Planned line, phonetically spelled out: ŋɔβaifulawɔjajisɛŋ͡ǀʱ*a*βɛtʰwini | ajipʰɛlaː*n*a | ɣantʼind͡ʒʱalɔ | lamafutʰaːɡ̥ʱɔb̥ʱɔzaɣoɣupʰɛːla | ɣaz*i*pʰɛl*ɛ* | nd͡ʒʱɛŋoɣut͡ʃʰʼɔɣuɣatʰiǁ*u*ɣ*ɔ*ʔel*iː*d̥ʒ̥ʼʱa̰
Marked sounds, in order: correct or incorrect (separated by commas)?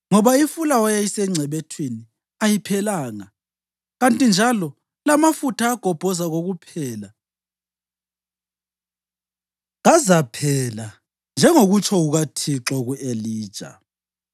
incorrect, incorrect, incorrect, incorrect, incorrect, incorrect, correct